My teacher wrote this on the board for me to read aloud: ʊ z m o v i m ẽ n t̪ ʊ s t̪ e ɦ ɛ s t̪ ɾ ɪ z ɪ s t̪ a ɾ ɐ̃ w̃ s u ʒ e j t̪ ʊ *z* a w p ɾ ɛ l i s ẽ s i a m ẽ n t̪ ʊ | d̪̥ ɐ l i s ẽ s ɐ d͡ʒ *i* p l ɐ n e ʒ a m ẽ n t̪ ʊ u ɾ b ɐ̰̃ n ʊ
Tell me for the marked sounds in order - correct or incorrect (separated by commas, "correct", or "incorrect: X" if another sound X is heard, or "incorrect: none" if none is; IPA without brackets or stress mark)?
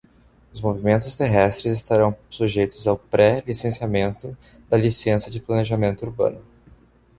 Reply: correct, incorrect: ɪ